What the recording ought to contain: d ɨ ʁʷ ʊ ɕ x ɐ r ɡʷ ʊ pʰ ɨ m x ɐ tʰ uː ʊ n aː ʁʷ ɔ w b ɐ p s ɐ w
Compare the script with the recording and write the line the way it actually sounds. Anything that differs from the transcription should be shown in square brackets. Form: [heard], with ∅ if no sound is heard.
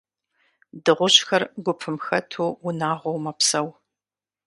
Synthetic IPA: d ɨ ʁʷ ʊ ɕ x ɐ r ɡʷ ʊ pʰ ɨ m x ɐ tʰ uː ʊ n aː ʁʷ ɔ w [m] ɐ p s ɐ w